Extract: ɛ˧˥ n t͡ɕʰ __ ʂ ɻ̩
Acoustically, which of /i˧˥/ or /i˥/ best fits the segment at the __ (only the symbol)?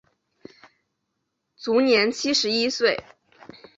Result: i˥